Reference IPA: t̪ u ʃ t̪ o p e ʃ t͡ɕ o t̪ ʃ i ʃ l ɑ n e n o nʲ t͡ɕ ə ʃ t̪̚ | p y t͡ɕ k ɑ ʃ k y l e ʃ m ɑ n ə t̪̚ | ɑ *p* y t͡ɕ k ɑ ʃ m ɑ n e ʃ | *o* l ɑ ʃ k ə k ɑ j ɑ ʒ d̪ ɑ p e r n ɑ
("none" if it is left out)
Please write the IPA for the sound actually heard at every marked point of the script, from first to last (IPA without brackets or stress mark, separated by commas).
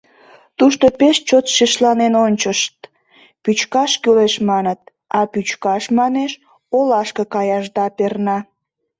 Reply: p, o